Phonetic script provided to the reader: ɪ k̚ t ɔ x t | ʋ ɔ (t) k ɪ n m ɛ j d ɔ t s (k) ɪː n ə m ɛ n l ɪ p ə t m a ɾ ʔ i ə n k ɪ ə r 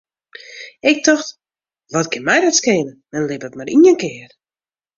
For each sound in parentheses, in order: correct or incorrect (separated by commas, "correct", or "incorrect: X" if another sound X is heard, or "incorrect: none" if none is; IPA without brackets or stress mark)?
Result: correct, correct